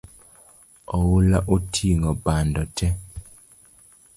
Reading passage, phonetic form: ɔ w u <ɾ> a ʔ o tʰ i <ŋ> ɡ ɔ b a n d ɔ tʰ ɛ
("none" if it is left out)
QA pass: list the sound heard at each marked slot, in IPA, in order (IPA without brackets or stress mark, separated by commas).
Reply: l, ŋ